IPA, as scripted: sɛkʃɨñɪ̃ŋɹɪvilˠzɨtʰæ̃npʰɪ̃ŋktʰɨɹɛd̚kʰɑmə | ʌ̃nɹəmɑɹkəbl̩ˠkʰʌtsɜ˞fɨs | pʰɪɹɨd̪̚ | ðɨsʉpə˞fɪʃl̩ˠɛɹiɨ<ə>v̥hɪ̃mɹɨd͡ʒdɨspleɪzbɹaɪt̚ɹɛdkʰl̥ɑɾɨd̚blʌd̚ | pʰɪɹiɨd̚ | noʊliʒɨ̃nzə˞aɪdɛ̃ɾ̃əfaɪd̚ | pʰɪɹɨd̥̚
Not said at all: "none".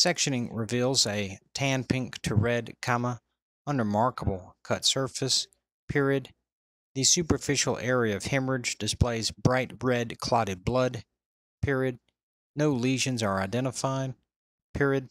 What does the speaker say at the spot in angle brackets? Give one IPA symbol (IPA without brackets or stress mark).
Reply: ʌ